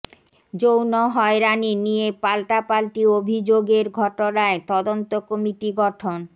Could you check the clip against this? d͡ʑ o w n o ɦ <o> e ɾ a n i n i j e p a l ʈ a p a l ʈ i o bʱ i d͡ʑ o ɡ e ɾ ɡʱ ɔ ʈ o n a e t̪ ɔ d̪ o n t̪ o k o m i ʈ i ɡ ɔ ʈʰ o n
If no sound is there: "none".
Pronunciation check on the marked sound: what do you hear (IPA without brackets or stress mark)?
ɔ